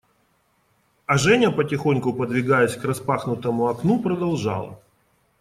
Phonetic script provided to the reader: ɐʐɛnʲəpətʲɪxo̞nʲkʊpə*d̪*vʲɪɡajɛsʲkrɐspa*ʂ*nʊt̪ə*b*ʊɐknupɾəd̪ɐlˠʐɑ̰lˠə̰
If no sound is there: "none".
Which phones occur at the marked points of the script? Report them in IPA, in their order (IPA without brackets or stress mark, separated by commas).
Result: d̪, x, m